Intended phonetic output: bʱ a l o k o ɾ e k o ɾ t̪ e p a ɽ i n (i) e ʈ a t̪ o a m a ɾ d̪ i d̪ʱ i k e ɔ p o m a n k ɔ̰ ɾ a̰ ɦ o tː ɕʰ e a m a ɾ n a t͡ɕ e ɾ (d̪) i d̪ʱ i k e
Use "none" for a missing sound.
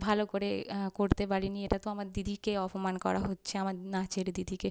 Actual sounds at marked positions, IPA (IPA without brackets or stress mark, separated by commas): i, d̪